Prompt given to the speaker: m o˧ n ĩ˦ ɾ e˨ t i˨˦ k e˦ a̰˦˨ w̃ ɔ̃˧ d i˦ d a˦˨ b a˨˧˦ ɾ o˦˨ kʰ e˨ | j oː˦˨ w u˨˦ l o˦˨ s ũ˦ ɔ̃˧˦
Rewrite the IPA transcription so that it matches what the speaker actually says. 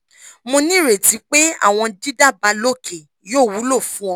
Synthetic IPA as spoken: m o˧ n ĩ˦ ɾ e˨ t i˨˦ k͡p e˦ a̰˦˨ w̃ ɔ̃˧ d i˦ d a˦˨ b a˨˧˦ l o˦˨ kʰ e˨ | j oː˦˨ w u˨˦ l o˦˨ f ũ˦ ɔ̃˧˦